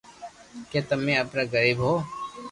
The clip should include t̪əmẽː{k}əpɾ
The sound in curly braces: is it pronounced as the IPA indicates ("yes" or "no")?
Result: no